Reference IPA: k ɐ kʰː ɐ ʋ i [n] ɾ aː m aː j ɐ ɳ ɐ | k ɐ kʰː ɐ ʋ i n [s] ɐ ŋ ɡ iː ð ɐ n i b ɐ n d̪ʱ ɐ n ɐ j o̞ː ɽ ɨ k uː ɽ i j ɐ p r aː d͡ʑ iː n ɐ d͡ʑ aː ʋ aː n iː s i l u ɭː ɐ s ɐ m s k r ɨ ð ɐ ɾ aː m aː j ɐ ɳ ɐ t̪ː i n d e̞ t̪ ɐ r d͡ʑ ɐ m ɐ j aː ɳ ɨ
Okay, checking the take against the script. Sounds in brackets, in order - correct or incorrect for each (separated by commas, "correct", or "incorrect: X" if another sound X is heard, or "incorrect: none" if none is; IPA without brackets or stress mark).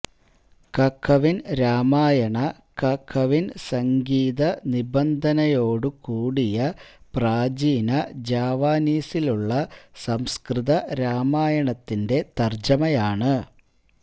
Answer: correct, correct